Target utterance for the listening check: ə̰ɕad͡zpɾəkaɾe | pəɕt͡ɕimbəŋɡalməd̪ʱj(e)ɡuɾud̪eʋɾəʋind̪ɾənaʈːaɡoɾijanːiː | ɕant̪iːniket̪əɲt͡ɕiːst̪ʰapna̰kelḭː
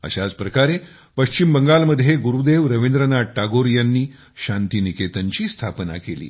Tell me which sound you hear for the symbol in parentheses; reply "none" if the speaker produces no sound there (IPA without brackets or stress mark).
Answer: e